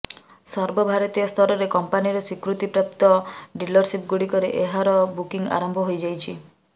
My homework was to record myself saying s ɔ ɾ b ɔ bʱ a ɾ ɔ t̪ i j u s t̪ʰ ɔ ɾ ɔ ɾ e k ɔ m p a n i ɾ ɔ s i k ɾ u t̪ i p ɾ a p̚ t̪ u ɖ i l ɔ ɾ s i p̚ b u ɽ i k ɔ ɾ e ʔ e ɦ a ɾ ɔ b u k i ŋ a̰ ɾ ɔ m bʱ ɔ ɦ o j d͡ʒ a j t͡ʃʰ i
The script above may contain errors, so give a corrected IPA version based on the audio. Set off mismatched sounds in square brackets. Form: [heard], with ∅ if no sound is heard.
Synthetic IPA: s ɔ ɾ b ɔ bʱ a ɾ ɔ t̪ i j [ɔ] s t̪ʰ ɔ ɾ ɔ ɾ e k ɔ m p a n i ɾ ɔ s i k ɾ u t̪ i p ɾ a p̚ t̪ [ɔ] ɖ i l ɔ ɾ s i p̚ [ɡ] u ɽ i k ɔ ɾ e ʔ e ɦ a ɾ ɔ b u k i ŋ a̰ ɾ ɔ m bʱ ɔ ɦ o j d͡ʒ a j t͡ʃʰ i

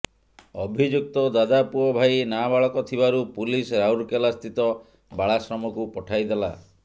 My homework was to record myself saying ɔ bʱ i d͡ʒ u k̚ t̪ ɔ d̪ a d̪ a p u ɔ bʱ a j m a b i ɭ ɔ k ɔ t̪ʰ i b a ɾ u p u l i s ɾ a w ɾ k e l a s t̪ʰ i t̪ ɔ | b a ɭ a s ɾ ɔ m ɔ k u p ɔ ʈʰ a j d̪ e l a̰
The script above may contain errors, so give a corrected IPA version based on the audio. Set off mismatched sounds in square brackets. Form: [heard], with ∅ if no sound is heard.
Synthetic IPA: ɔ bʱ i d͡ʒ u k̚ t̪ ɔ d̪ a d̪ a p u ɔ bʱ a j [n] a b [a] ɭ ɔ k ɔ t̪ʰ i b a ɾ u p u l i s ɾ a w ɾ k e l a s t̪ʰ i t̪ ɔ | b a ɭ a s ɾ ɔ m ɔ k u p ɔ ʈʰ a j d̪ e l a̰

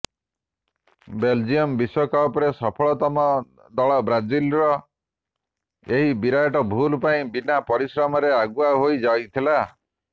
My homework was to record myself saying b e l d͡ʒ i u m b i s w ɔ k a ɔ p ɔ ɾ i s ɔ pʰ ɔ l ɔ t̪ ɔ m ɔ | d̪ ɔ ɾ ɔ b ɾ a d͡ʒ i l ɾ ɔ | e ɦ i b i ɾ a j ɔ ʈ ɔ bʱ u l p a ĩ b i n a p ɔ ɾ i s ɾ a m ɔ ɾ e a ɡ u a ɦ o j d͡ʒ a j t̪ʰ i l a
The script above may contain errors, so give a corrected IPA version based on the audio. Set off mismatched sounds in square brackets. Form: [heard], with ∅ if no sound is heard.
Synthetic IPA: b e l d͡ʒ i [ɔ] m b i s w ɔ k a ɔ p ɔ ɾ [e] s ɔ pʰ ɔ [ɭ] ɔ t̪ ɔ m ɔ | d̪ ɔ [ɭ] ɔ b ɾ a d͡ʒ i l ɾ ɔ | e ɦ i b i ɾ a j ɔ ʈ ɔ bʱ u l p a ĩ b i n a p ɔ ɾ i s ɾ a m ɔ ɾ e a ɡ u a ɦ o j d͡ʒ a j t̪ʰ i l a

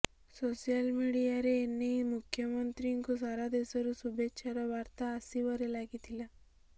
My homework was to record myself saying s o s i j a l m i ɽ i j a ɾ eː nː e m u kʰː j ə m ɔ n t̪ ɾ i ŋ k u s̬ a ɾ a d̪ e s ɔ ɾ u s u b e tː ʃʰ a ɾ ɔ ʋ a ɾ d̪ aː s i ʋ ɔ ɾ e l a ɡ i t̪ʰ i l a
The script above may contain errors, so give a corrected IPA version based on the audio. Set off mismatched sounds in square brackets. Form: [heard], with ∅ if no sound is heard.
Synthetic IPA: s o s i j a l m i ɽ i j a ɾ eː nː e m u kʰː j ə m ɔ n t̪ ɾ i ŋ k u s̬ a ɾ a d̪ e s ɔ ɾ u s u b e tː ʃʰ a ɾ ɔ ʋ a ɾ [t̪] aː s i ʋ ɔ ɾ e l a ɡ i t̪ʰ i l a

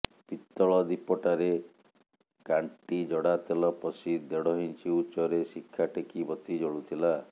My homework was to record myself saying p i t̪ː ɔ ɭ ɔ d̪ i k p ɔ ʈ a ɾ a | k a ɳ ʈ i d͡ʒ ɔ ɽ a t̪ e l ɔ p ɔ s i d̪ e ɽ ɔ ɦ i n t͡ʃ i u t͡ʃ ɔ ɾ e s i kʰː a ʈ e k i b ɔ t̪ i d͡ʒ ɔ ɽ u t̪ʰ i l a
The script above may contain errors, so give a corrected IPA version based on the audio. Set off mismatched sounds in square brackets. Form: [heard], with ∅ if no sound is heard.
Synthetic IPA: p i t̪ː ɔ ɭ ɔ d̪ i [∅] p ɔ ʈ a ɾ [e] | k a ɳ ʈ i d͡ʒ ɔ ɽ a t̪ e l ɔ p ɔ s i d̪ e ɽ ɔ ɦ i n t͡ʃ i u t͡ʃ ɔ ɾ e s i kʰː a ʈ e k i b ɔ t̪ i d͡ʒ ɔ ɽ u t̪ʰ i l a

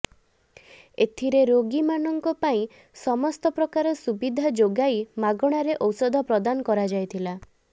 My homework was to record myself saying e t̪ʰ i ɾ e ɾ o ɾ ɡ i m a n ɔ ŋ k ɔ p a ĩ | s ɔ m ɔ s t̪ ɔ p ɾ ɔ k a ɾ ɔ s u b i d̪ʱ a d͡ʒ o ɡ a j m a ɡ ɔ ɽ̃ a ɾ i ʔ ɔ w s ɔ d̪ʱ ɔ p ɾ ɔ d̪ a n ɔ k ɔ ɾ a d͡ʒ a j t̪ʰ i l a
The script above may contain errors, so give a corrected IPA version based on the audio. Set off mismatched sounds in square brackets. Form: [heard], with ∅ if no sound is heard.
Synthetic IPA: e t̪ʰ i ɾ e ɾ o [∅] ɡ i m a n ɔ ŋ k ɔ p a ĩ | s ɔ m ɔ s t̪ ɔ p ɾ ɔ k a ɾ ɔ s u b i d̪ʱ a d͡ʒ o ɡ a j m a ɡ ɔ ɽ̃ a ɾ [e] ʔ ɔ w s ɔ d̪ʱ ɔ p ɾ ɔ d̪ a n ɔ k ɔ ɾ a d͡ʒ a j t̪ʰ i l a

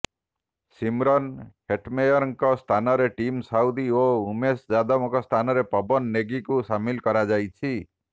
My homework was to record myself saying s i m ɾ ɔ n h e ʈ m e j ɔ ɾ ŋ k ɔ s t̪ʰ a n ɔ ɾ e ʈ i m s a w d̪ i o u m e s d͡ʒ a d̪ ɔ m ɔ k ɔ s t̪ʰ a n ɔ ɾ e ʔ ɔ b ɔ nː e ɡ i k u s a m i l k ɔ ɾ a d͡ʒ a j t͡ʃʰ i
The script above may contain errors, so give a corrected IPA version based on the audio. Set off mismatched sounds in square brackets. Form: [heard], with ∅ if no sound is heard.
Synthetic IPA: s i m ɾ ɔ n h e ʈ m e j ɔ ɾ ŋ k ɔ s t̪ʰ a n ɔ ɾ e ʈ i m s a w d̪ i o u m e s d͡ʒ a d̪ ɔ m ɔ k ɔ s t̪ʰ a n ɔ ɾ e [p] ɔ b ɔ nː e ɡ i k u s a m i l k ɔ ɾ a d͡ʒ a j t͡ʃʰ i

